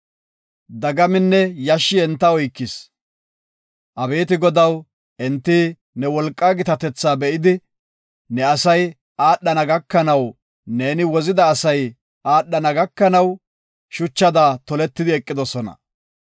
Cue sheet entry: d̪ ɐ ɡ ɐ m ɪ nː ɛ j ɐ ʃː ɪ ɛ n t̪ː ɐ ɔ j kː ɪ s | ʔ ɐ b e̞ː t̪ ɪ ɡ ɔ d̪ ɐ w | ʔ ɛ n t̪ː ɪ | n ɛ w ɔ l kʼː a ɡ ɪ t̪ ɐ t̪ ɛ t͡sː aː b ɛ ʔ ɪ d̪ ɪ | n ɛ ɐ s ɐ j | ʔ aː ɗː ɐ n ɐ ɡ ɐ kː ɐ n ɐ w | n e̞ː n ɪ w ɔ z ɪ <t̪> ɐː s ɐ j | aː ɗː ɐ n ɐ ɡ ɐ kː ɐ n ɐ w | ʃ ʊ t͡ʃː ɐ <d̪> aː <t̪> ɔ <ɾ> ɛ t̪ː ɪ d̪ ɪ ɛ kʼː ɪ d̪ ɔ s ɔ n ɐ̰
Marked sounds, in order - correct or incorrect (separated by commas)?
incorrect, correct, correct, incorrect